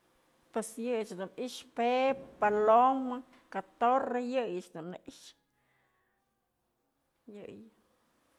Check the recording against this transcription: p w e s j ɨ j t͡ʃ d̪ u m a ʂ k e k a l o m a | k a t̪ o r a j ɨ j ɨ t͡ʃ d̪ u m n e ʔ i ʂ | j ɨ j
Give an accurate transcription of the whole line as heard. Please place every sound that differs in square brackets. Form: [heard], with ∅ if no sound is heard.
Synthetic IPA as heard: p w e s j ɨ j t͡ʃ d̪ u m [i] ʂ [p] e [p] a l o m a | k a t̪ o r [e] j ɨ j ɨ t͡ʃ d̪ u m n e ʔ i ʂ | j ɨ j